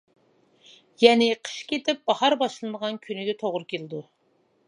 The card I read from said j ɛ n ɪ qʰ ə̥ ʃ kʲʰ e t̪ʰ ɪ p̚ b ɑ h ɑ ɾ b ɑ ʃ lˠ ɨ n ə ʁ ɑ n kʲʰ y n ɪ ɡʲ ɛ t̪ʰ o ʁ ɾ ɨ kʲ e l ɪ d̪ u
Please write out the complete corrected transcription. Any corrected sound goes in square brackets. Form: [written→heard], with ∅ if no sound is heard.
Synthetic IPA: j ɛ n ɪ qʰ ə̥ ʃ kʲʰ e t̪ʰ ɪ p̚ b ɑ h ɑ ɾ b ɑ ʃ lˠ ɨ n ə ʁ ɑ n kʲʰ y n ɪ ɡʲ ɛ t̪ʰ o ʁ ɾ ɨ kʲ e l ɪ d̪ u